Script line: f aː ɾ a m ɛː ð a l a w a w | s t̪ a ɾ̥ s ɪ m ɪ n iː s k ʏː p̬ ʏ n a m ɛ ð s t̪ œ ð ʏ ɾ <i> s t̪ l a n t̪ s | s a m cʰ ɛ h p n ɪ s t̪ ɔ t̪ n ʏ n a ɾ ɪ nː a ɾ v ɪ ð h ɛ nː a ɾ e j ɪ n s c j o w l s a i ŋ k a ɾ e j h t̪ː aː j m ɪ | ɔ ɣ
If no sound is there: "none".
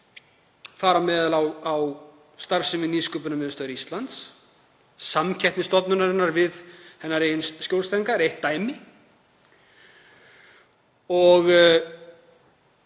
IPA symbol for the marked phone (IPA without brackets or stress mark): i